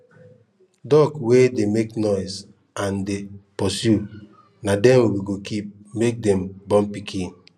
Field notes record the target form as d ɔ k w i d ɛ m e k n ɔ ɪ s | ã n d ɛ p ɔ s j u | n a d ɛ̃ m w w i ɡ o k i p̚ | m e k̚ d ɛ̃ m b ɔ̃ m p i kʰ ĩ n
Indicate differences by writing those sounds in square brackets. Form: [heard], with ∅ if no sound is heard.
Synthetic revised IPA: d ɔ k w [e] d [e] m e k n ɔ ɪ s | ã n d [e] p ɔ s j u | n a d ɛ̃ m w w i ɡ o k i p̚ | m e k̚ d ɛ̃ m b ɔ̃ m p i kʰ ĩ n

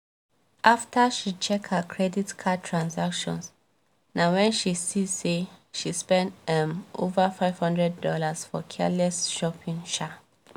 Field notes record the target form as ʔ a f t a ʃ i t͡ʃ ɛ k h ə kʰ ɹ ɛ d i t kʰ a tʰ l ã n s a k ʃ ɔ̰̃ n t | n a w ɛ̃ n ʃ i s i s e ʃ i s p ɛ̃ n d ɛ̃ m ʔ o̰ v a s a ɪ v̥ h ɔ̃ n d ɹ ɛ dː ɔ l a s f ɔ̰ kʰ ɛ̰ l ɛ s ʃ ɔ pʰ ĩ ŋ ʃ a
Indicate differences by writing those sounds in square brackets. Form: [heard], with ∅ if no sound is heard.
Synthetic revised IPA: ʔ a f t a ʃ i t͡ʃ ɛ k h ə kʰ ɹ ɛ d i t kʰ a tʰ [ɹ] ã n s a k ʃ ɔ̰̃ n [s] | n a w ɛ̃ n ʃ i s i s e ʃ i s p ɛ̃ n d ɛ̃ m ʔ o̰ v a [f] a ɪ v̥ h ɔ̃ n d ɹ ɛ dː ɔ l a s f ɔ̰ kʰ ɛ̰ l ɛ s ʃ ɔ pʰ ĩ ŋ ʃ a

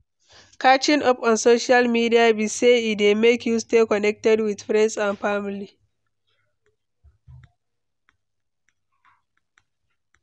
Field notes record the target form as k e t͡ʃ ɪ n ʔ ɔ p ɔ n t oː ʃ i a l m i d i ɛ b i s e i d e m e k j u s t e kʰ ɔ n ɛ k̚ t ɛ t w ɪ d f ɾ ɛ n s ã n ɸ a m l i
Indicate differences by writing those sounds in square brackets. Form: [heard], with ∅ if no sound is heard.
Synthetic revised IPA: k [a] t͡ʃ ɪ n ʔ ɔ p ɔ n [s] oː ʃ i a l m i d i [a] b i s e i d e m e k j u s t e [k] ɔ n ɛ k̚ t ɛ [d] w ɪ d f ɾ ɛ n s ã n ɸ a m l i

